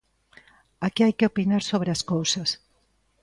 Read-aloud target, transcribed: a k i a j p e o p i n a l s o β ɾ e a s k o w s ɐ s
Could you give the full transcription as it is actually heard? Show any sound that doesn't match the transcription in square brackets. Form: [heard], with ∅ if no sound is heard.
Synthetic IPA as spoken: a k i a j [k] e o p i n a [ɾ] s o β ɾ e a s k o w s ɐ s